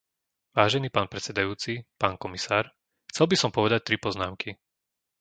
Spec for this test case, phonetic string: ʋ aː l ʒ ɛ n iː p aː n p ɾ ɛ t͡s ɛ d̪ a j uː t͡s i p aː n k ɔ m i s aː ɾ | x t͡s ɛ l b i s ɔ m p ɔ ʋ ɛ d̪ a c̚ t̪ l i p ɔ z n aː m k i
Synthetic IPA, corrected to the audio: ʋ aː ʒ ɛ n iː p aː n p ɾ ɛ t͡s ɛ d̪ a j uː t͡s i p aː n k ɔ m i s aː ɾ | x t͡s ɛ l b i s ɔ m p ɔ ʋ ɛ d̪ a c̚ t̪ ɾ i p ɔ z n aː m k i